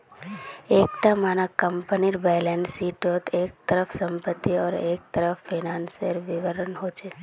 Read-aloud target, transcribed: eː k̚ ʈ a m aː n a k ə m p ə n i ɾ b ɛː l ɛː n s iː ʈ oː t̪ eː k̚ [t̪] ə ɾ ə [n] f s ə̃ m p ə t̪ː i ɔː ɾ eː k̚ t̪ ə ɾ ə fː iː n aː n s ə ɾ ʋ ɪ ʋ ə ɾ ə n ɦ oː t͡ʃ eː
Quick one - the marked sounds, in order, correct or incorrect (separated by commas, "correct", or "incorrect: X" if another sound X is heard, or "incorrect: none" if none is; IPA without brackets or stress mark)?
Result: correct, incorrect: none